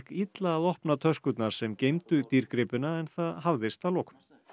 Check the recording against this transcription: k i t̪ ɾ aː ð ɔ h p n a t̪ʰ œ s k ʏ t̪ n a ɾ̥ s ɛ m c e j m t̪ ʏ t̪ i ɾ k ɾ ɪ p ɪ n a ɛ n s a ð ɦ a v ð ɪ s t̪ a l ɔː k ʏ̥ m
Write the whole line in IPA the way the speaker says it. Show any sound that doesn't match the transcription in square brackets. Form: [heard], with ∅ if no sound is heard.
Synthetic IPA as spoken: k i t̪ [l] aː ð ɔ h p n a t̪ʰ œ s k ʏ t̪ n a ɾ̥ s ɛ m c e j m t̪ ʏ t̪ i ɾ k ɾ ɪ p ɪ n a ɛ n [θ] a ð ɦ a v ð ɪ s t̪ a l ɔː k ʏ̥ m